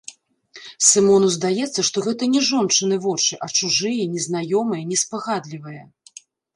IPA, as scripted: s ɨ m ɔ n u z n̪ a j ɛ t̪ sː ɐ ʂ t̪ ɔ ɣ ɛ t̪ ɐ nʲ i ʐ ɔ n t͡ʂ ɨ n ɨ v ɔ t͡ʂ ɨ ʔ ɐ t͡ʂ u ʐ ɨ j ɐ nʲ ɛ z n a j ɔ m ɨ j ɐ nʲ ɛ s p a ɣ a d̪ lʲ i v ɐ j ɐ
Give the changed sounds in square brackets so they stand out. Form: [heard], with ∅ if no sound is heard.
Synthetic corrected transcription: s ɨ m ɔ n u z [d̪] a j ɛ t̪ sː ɐ ʂ t̪ ɔ ɣ ɛ t̪ ɐ nʲ [ɛ] ʐ ɔ n t͡ʂ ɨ n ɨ v ɔ t͡ʂ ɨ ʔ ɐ t͡ʂ u ʐ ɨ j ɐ nʲ ɛ z n a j ɔ m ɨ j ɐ nʲ ɛ s p a ɣ a d̪ lʲ i v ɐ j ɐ